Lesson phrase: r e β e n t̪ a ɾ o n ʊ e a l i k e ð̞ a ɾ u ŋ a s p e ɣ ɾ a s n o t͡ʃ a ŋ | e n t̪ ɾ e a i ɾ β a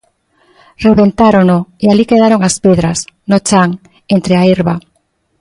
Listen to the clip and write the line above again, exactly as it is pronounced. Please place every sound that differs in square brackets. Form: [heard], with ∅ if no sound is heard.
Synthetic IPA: r e β e n t̪ a ɾ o n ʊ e a l i k e ð̞ a ɾ [o] ŋ a s p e [ð] ɾ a s n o t͡ʃ a ŋ | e n t̪ ɾ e a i ɾ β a